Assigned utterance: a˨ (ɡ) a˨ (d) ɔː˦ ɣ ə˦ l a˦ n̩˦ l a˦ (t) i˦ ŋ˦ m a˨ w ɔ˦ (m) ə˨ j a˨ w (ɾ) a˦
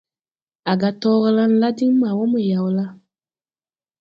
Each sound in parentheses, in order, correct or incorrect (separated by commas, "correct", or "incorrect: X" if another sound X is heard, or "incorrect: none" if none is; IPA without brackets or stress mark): correct, incorrect: t, incorrect: d, correct, incorrect: l